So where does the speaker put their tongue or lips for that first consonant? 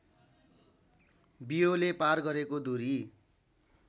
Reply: lips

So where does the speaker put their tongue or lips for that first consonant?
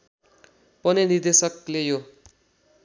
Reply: lips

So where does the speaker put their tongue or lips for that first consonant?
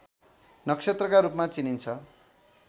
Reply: tongue tip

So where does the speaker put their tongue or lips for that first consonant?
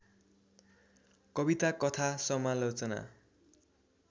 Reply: velum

